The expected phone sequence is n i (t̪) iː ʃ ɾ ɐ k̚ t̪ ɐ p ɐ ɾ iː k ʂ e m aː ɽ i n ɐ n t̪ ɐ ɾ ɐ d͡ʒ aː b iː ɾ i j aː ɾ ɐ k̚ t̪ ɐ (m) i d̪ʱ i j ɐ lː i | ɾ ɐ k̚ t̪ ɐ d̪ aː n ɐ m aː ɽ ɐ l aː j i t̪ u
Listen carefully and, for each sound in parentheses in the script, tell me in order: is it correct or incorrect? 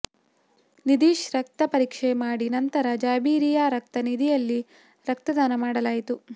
incorrect, incorrect

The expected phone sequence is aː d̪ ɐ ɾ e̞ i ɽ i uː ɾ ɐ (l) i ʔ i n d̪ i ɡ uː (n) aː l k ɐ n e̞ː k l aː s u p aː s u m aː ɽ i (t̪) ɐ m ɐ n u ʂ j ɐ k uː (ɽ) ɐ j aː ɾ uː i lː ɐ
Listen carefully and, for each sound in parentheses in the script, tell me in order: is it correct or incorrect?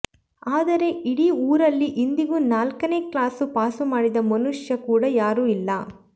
incorrect, correct, incorrect, correct

